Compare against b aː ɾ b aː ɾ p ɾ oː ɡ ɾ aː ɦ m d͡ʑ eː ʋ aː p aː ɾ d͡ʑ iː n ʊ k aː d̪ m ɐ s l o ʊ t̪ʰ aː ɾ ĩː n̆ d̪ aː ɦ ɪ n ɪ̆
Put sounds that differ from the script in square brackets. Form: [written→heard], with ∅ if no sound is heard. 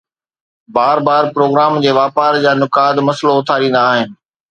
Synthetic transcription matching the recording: b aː ɾ b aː ɾ p ɾ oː ɡ ɾ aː [ɦ→∅] m d͡ʑ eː ʋ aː p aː ɾ d͡ʑ [iː→aː] n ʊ k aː d̪ m ɐ s l o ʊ t̪ʰ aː ɾ ĩː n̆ d̪ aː ɦ ɪ n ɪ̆